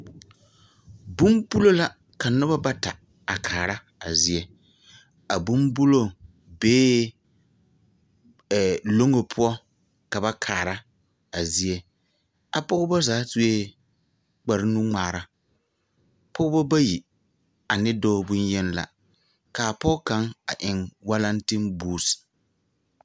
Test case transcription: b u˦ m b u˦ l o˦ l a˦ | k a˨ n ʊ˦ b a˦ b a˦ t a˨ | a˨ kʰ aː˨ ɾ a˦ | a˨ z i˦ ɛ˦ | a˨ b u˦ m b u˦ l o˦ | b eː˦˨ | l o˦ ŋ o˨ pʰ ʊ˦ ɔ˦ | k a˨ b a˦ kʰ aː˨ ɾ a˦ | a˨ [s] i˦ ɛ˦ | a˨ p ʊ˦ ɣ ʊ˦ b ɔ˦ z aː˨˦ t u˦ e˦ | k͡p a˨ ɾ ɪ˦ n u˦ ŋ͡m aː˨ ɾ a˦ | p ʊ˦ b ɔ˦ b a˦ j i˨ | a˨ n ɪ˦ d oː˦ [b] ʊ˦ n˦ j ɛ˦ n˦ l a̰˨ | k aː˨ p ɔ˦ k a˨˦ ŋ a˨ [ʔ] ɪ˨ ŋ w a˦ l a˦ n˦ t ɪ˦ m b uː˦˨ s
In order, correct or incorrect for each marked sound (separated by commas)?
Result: incorrect, correct, correct